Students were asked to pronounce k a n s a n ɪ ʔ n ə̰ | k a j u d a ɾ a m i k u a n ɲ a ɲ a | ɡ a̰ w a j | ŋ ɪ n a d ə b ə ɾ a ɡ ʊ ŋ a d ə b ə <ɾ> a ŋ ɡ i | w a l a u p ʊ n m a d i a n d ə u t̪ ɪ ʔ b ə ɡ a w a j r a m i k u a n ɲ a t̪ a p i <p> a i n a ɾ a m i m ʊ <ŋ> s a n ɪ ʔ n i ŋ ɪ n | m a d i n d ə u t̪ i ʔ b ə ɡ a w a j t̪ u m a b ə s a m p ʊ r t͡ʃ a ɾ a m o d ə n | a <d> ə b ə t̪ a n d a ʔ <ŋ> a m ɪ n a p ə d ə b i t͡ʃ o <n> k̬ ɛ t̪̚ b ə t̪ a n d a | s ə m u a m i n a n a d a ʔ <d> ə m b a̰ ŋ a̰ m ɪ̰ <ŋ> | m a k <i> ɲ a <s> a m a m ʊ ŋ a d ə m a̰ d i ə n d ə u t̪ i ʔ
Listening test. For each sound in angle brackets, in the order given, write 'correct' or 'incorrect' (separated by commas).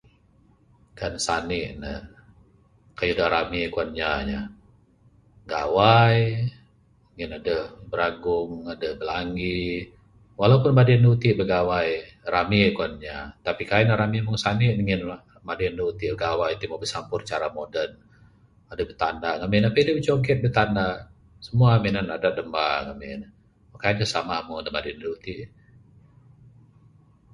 incorrect, incorrect, correct, correct, correct, incorrect, correct, incorrect, incorrect, correct